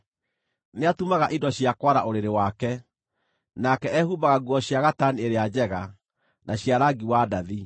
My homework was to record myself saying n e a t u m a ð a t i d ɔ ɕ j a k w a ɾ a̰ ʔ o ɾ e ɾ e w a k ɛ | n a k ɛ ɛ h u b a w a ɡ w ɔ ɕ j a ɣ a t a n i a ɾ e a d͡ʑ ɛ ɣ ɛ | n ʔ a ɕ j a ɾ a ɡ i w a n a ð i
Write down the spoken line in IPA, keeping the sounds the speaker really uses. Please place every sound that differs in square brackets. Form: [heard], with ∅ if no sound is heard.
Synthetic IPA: n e a t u m a [ɣ] a [ʔ] i d ɔ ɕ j a k w a ɾ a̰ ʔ o ɾ e ɾ e w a k ɛ | n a k ɛ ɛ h u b a [ɣ] a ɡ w ɔ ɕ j a ɣ a t a n i [e] ɾ e a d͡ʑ ɛ ɣ [a] | n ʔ a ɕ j a ɾ a ɡ i w a [d] a ð i

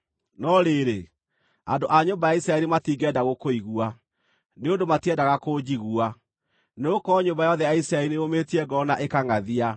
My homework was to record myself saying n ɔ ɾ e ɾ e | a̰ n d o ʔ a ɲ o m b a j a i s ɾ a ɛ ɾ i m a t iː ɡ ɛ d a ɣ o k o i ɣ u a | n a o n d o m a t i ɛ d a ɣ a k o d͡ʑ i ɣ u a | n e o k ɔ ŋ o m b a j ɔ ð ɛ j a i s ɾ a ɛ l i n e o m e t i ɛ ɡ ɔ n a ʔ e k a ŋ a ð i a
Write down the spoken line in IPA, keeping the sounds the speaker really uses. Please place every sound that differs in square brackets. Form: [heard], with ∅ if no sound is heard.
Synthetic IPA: n ɔ ɾ e ɾ e | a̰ n d o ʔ a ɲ o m b a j a i s ɾ a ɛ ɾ i m a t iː ɡ ɛ d a ɣ o k o i ɣ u a | n [e] o n d o m a t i ɛ d a ɣ a k o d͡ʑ i ɣ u a | n e o k ɔ [ɲ] o m b a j ɔ ð ɛ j a i s ɾ a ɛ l i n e o m e t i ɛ ɡ ɔ n a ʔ e k a ŋ a ð i a

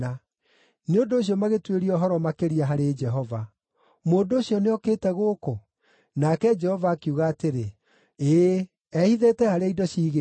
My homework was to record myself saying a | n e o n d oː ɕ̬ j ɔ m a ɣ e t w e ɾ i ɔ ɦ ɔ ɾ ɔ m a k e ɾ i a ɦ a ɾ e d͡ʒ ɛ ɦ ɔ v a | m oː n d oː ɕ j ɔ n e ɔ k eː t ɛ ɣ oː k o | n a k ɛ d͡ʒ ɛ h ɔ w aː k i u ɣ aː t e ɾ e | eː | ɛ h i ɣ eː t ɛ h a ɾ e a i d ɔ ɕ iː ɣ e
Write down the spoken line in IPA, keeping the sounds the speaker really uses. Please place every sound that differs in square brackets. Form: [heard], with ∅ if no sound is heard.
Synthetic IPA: a | n e o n d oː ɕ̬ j ɔ m a ɣ e t w e ɾ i ɔ ɦ ɔ ɾ ɔ m a k e ɾ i a ɦ a ɾ e d͡ʒ ɛ ɦ ɔ v a | m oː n d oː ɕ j ɔ n e ɔ k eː t ɛ ɣ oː k o | n a k ɛ d͡ʒ ɛ h ɔ [v] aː k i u ɣ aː t e ɾ e | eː | ɛ h i [ð] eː t ɛ h a ɾ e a i d ɔ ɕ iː ɣ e

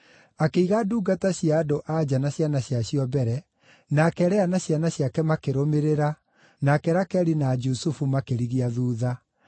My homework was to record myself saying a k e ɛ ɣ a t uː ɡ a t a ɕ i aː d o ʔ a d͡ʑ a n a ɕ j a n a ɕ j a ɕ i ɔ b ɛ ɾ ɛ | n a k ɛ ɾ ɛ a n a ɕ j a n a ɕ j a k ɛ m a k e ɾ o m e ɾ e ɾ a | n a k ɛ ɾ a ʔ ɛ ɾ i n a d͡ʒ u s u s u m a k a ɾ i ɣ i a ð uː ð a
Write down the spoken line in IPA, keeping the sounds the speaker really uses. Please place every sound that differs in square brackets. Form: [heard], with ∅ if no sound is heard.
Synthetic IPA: a k e [i] ɣ a [d] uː ɡ a t a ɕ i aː d o ʔ a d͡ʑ a n a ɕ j a n a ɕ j a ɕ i ɔ b ɛ ɾ ɛ | n a k ɛ ɾ ɛ a n a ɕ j a n a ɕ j a k ɛ m a k e ɾ o m e ɾ e ɾ a | n a k ɛ ɾ a [k] ɛ ɾ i n a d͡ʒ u s u [f] u m a k [e] ɾ i ɣ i a ð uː ð a

